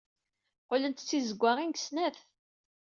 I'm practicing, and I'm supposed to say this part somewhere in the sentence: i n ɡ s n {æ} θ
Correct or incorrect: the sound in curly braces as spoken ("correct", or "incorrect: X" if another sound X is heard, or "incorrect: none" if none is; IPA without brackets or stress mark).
correct